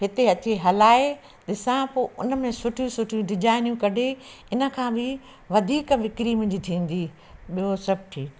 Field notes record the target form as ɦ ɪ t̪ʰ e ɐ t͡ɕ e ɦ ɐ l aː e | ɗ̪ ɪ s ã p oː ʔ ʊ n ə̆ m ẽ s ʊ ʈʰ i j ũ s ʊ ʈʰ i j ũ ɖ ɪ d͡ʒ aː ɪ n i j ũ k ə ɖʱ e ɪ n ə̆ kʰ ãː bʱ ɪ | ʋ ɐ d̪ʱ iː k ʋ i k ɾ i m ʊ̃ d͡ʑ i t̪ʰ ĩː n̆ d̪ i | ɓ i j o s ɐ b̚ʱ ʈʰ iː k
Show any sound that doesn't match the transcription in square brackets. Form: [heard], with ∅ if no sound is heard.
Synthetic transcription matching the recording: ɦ ɪ [t̪] e ɐ t͡ɕ e ɦ ɐ l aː e | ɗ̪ ɪ s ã p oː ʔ ʊ n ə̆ m ẽ s ʊ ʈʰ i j ũ s ʊ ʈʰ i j ũ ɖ ɪ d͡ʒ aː ɪ n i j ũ k [ɐ] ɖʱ e ɪ n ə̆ kʰ ãː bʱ ɪ | ʋ ɐ d̪ʱ iː k ʋ [ɪ] k ɾ i m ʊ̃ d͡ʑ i t̪ʰ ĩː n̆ d̪ i | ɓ i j o s ɐ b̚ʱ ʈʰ iː k